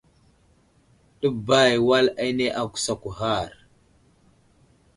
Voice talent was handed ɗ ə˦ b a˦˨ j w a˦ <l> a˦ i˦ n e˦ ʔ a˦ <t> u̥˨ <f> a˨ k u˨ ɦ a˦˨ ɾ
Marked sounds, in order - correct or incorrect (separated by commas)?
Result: correct, incorrect, incorrect